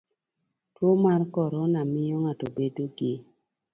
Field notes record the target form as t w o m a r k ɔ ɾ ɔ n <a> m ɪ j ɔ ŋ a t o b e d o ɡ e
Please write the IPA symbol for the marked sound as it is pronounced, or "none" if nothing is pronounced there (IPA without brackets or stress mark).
a